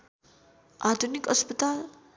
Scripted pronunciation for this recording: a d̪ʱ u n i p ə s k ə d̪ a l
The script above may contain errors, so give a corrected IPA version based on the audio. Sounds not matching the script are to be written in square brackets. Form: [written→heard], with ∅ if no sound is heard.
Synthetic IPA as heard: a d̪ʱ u n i [p→k] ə s [k→p] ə [d̪→t̪] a l